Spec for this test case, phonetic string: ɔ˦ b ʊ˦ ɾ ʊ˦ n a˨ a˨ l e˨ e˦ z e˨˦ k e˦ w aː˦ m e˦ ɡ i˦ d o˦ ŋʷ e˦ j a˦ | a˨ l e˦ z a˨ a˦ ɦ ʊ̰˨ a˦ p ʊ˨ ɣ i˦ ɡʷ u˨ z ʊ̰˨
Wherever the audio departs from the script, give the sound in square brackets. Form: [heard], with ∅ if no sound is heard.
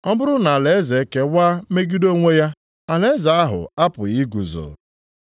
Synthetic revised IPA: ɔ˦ b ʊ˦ ɾ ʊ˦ n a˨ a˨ l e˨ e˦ z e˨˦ k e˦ w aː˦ m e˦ ɡ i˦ d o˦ ŋʷ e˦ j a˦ | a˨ l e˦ z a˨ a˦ ɦ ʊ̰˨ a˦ p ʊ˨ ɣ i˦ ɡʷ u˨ z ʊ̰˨